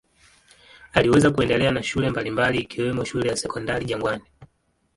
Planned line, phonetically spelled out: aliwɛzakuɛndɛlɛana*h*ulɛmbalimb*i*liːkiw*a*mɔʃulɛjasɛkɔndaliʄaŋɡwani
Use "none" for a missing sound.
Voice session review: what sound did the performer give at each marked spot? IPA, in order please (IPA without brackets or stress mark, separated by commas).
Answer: ʃ, a, ɛ